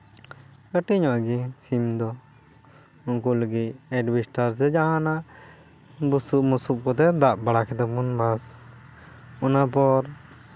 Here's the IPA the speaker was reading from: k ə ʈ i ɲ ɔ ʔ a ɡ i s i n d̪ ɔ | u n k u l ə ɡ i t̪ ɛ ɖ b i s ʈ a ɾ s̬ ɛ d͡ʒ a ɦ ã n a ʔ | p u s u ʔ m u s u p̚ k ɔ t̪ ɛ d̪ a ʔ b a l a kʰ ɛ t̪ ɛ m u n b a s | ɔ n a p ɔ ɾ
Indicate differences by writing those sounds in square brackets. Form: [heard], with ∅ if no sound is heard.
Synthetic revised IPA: k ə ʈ i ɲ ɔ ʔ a ɡ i s i [m] d̪ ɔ | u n k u l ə ɡ i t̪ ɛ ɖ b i s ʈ a ɾ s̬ ɛ d͡ʒ a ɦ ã n a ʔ | [b] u s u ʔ m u s u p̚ k ɔ t̪ ɛ d̪ a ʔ b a [ɽ] a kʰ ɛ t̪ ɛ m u n b a s | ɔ n a p ɔ ɾ